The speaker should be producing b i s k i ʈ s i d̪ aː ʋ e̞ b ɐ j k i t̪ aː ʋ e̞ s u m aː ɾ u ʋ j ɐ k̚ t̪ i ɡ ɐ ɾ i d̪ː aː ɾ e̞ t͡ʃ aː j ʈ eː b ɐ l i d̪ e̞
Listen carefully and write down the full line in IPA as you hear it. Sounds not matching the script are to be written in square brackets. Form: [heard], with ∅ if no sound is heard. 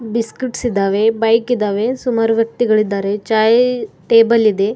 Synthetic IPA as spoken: b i s k i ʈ s i d̪ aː ʋ e̞ b ɐ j k i [d̪] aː ʋ e̞ s u m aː ɾ u ʋ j ɐ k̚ t̪ i ɡ ɐ [ɭ] i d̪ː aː ɾ e̞ t͡ʃ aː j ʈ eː b ɐ l i d̪ e̞